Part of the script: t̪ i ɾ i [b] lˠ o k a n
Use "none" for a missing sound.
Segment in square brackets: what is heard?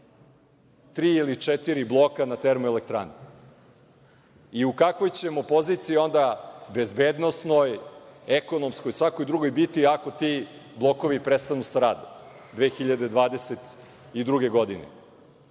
b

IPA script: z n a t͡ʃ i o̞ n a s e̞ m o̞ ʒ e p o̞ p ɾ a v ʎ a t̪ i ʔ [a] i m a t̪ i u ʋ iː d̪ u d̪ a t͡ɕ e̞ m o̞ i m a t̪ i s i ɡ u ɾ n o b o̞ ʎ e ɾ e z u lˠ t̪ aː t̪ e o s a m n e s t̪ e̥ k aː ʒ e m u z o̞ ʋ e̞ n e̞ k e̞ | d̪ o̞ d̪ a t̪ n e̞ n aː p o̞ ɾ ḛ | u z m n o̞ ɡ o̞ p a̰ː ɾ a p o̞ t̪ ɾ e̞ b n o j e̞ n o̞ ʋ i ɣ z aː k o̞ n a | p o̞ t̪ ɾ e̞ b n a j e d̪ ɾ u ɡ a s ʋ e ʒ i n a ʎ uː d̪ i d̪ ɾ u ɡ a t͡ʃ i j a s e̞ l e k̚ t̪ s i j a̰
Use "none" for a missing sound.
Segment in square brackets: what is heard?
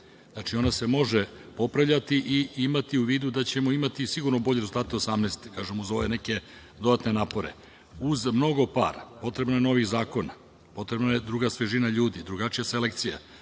i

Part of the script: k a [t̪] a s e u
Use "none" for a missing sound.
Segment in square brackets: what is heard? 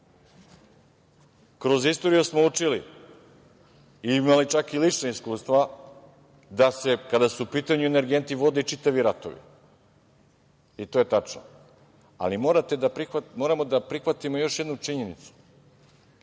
d̪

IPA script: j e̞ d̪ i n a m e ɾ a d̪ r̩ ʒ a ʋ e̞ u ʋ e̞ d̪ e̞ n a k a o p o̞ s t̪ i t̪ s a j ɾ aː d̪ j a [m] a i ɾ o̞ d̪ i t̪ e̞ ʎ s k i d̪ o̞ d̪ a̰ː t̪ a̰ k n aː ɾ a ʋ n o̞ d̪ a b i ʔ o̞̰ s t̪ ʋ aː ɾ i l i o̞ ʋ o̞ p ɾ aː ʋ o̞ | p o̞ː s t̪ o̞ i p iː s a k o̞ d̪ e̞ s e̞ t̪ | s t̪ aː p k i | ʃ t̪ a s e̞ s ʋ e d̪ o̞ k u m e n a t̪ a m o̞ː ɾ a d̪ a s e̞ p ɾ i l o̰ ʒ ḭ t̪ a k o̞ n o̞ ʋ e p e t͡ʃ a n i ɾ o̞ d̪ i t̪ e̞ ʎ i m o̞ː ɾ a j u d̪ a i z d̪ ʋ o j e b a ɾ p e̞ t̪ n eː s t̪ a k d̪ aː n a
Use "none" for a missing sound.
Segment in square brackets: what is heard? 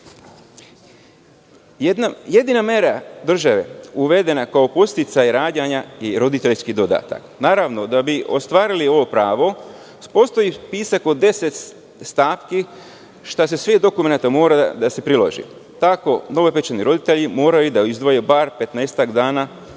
ɲ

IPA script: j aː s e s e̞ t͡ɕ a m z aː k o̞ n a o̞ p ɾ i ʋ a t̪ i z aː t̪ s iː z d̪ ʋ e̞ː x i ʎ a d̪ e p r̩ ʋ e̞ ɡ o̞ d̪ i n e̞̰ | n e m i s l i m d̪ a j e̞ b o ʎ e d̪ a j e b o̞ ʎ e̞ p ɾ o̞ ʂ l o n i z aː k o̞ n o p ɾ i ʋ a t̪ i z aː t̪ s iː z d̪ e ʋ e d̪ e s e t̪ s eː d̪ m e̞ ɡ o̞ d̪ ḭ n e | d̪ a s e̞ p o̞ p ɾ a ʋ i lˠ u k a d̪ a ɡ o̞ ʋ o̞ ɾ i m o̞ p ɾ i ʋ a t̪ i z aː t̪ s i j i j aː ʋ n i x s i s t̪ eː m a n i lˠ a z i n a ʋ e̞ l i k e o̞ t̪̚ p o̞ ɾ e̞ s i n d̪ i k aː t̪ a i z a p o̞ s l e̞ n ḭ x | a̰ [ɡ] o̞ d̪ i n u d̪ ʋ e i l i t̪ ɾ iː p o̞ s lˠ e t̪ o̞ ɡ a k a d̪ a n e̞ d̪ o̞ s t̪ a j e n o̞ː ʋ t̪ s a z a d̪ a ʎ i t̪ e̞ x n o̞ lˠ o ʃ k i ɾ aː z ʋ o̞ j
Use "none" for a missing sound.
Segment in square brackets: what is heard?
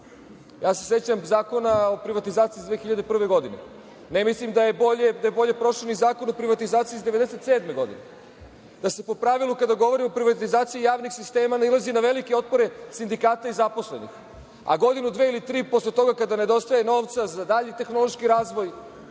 ɡ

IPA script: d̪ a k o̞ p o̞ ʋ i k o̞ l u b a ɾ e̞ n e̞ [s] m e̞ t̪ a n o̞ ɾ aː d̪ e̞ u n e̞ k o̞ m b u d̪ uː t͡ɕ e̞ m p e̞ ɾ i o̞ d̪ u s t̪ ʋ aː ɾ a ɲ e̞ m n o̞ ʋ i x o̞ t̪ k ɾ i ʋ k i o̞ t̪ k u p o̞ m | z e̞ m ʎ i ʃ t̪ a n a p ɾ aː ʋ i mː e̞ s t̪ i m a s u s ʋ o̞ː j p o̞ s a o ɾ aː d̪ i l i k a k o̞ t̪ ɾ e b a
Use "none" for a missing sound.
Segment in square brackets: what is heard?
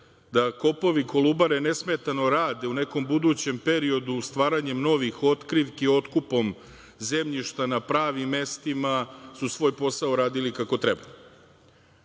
s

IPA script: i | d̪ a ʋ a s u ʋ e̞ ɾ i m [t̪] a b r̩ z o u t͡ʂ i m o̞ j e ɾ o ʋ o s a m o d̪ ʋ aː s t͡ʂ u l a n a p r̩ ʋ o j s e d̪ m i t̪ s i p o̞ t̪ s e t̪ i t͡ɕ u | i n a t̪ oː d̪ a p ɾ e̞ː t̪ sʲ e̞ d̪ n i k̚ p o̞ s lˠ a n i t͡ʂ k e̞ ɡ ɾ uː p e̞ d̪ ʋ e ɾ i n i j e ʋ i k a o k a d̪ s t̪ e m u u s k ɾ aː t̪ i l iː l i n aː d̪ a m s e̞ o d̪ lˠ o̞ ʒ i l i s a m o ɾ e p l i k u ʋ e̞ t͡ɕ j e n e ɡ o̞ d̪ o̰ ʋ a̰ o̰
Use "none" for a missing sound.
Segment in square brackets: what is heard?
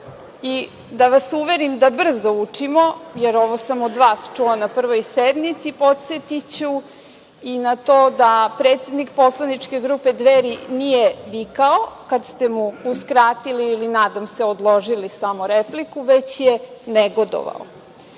d̪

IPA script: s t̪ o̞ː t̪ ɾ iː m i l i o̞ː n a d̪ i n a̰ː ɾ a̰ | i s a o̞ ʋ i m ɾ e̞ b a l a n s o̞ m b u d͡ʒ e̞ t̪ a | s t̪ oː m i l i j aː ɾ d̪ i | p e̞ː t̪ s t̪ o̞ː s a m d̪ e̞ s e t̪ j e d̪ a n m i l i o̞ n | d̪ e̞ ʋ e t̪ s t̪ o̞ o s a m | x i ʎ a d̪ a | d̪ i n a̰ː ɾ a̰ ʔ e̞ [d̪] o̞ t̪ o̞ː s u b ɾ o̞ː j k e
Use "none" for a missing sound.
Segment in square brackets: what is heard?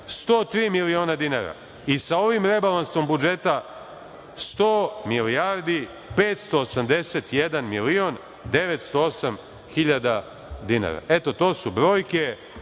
t̪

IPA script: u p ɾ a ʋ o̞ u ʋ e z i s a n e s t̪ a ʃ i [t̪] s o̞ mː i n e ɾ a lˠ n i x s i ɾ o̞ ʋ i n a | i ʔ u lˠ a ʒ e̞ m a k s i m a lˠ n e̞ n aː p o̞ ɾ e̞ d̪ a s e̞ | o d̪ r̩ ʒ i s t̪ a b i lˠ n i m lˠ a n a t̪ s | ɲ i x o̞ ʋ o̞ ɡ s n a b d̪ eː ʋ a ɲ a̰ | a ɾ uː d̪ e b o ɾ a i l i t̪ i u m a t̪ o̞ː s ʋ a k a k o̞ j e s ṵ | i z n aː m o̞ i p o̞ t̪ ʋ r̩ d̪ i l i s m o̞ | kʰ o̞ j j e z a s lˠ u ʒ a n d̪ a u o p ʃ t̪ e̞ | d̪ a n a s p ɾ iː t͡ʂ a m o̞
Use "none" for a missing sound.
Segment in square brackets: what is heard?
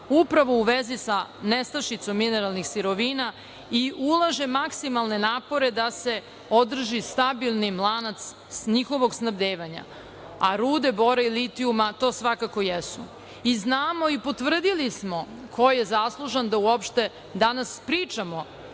t̪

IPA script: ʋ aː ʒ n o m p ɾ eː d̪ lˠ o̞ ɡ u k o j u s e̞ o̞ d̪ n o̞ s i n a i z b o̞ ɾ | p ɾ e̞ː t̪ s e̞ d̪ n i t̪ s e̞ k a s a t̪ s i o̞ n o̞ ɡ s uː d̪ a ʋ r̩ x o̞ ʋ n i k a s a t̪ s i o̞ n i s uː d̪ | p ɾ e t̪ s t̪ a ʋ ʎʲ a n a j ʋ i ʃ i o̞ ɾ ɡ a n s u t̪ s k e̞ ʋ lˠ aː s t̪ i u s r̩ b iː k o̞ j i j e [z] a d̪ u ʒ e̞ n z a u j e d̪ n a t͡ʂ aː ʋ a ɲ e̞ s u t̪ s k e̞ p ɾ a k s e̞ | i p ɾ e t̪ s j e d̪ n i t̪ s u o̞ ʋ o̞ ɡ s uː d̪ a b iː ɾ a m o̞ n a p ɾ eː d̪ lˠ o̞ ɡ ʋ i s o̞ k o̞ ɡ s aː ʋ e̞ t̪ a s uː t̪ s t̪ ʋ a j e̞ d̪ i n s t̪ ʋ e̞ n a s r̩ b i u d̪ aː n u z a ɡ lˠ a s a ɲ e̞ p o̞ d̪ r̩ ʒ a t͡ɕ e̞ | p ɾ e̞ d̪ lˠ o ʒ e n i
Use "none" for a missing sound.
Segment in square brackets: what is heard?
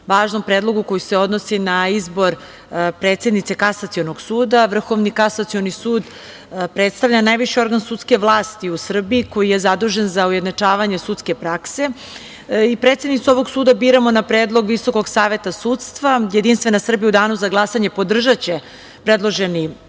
z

